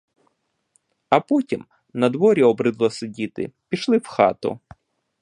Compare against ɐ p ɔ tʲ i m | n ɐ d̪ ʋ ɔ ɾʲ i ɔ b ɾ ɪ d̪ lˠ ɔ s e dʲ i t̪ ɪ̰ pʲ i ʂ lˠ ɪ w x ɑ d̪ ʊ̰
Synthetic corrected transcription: ɐ p ɔ tʲ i m | n ɐ d̪ ʋ ɔ ɾʲ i ɔ b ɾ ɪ d̪ lˠ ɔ s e dʲ i t̪ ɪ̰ pʲ i ʃ lˠ ɪ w x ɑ t̪ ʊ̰